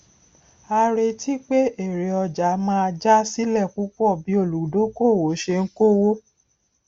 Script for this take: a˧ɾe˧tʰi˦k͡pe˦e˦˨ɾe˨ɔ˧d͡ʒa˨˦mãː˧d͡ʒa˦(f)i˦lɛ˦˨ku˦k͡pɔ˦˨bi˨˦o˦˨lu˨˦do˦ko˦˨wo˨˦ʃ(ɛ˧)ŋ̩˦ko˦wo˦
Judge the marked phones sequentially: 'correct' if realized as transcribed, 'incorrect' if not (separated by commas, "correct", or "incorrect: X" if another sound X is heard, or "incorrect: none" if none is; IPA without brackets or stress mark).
incorrect: s, incorrect: e˧